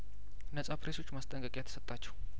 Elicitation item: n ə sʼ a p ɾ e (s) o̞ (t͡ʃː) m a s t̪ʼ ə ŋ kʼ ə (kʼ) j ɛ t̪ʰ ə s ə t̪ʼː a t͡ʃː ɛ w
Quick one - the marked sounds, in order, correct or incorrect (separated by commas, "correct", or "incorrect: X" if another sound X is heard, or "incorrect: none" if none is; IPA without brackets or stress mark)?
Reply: correct, correct, correct